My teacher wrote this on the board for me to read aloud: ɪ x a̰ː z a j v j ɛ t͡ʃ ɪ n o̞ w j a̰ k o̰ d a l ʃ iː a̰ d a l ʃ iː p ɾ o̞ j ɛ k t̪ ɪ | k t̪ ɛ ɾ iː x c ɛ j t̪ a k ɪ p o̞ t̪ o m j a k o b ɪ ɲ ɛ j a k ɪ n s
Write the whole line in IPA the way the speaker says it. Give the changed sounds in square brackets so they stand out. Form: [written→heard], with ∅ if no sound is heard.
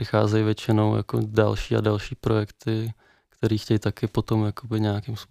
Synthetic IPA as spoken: ɪ x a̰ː z [a→ɛ] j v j ɛ t͡ʃ ɪ n o̞ w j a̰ k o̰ d a l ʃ iː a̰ d a l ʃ iː p ɾ o̞ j ɛ k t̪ ɪ | k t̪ ɛ ɾ iː x c ɛ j t̪ a k ɪ p o̞ t̪ o m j a k o b ɪ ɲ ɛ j a k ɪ [n→m] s